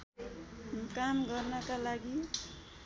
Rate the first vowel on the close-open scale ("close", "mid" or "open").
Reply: open